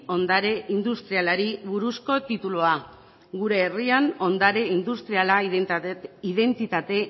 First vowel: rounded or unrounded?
rounded